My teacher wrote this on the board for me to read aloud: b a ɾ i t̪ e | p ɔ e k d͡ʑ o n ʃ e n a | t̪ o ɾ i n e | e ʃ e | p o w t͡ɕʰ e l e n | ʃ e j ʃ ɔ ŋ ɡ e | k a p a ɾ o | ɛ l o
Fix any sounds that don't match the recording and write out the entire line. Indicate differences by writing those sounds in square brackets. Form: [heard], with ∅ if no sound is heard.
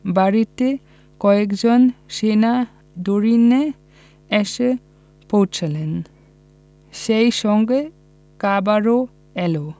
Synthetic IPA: b a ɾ i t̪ e | [k] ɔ e k d͡ʑ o n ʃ e n a | [d̪] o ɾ i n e | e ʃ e | p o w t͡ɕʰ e l e n | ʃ e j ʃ ɔ ŋ ɡ e | k a [b] a ɾ o | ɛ l o